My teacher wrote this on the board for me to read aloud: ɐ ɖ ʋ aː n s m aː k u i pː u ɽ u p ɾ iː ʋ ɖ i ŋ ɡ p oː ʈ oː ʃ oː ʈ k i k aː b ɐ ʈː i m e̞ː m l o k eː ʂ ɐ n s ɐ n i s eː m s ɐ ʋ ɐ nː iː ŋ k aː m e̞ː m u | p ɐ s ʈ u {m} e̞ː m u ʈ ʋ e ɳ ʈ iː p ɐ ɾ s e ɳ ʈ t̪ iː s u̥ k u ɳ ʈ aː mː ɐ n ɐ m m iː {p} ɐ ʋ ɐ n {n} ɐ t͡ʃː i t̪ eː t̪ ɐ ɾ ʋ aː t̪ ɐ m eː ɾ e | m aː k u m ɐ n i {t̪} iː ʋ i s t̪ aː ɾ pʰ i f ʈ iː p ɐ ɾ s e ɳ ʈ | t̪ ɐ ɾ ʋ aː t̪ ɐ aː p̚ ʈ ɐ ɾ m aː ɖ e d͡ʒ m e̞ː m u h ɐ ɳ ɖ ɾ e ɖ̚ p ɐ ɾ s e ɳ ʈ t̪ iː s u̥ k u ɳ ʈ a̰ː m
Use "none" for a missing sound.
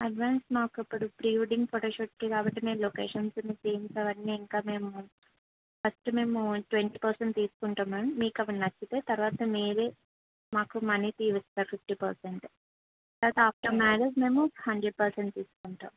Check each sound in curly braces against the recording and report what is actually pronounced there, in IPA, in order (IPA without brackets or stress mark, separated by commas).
m, k, n, t̪